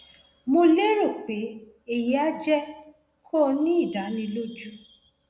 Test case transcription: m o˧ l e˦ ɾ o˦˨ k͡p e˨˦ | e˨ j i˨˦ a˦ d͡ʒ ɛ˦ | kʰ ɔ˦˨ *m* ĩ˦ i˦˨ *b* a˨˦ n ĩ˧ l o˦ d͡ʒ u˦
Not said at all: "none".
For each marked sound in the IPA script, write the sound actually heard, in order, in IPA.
n, d

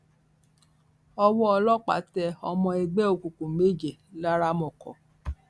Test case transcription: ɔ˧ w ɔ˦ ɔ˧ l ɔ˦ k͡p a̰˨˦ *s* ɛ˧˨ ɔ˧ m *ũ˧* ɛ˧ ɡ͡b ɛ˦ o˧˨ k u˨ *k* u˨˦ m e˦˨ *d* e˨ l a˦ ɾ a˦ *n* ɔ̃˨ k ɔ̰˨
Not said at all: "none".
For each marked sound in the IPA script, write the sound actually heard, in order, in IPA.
t, ɔ̃˧, k, d͡ʒ, m

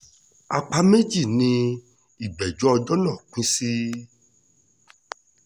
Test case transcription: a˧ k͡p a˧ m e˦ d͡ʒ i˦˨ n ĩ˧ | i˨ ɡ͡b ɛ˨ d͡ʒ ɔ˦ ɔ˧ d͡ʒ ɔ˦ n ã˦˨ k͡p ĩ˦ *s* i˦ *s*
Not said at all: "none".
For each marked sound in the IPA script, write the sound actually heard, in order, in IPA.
s, none

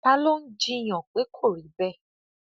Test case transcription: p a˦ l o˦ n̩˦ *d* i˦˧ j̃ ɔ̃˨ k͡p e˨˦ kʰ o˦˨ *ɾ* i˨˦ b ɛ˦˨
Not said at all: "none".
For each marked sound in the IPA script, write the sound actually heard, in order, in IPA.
d͡ʒ, ɾ

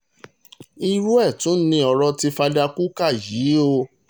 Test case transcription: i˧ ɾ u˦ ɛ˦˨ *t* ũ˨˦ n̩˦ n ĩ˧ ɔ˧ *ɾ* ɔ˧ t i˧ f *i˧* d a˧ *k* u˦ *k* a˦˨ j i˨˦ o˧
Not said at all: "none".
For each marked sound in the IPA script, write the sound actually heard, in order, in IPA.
t, ɾ, a˧, k, k

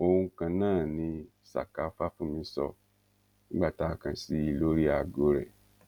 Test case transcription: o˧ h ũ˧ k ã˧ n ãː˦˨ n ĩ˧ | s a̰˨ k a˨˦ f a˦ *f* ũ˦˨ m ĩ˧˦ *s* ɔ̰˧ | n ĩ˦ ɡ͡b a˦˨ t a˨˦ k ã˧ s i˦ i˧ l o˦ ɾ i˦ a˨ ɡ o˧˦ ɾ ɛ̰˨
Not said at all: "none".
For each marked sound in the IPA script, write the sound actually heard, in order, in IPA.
f, s

